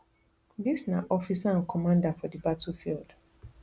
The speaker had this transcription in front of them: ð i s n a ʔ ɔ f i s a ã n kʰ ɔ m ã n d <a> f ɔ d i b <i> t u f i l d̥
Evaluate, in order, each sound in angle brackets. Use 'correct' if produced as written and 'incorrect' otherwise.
correct, incorrect

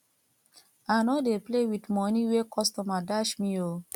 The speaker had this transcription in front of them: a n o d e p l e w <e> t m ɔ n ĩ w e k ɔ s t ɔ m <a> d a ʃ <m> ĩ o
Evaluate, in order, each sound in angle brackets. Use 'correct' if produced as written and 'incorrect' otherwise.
incorrect, correct, correct

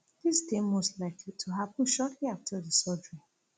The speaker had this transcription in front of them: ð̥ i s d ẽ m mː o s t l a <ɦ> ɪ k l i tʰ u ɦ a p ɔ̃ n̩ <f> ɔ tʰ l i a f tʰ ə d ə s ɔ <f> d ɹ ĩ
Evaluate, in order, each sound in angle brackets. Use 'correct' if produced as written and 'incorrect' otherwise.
incorrect, incorrect, incorrect

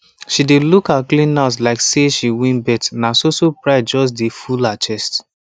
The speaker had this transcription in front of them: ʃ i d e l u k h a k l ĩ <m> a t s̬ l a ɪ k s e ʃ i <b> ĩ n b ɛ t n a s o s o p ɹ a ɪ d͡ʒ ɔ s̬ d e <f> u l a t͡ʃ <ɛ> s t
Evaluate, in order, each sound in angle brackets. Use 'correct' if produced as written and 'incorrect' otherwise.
incorrect, incorrect, correct, correct

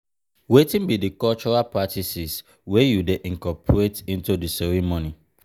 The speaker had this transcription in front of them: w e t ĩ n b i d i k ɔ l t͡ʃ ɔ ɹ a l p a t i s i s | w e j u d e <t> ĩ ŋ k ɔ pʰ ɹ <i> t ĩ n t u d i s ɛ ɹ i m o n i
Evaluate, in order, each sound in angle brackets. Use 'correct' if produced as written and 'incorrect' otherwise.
incorrect, incorrect

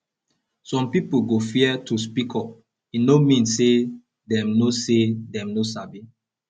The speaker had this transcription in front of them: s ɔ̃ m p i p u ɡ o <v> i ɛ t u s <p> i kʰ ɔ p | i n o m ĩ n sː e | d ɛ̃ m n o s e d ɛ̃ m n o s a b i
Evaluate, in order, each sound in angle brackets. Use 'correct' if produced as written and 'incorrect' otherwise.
incorrect, correct

